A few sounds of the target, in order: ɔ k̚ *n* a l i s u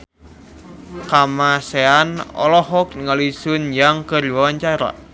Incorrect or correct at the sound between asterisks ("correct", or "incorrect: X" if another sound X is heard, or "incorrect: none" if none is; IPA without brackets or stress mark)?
incorrect: ŋ